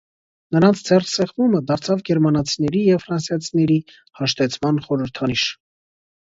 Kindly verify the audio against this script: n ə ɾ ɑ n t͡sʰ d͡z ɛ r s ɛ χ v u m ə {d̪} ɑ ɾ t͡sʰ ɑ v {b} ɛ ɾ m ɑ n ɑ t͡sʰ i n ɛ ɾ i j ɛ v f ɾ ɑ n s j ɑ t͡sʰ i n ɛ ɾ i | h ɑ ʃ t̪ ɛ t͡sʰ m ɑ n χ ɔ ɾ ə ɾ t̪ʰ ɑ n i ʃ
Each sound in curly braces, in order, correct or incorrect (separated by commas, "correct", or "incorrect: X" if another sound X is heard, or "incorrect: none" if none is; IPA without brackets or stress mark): correct, incorrect: ɡ